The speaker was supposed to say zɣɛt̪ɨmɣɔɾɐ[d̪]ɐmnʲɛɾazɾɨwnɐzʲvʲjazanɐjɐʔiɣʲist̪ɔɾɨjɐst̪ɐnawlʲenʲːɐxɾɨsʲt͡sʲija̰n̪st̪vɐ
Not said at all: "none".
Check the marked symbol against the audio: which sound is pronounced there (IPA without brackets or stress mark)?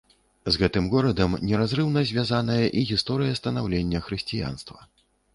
d̪